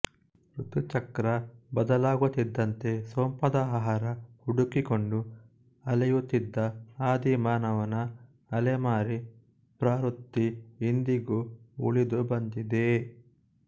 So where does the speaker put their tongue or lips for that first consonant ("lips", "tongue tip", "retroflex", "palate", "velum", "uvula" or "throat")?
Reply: tongue tip